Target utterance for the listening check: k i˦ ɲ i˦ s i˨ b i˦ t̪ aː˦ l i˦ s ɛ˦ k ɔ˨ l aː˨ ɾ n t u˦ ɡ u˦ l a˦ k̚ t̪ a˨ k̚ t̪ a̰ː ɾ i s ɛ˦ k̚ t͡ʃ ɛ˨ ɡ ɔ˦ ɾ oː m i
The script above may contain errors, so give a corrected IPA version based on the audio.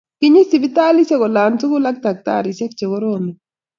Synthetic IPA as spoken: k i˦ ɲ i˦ s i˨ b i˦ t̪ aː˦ l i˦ s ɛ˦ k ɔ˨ l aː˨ n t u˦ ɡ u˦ l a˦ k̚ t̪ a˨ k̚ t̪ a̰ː ɾ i s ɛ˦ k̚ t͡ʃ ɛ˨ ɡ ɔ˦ ɾ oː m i